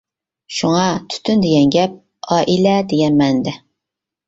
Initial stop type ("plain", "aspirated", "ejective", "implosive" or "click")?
aspirated